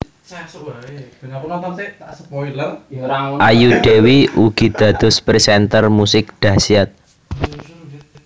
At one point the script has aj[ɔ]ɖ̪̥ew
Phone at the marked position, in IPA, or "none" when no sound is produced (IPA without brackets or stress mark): u